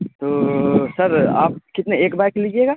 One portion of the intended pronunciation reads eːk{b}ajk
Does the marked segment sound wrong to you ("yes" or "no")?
no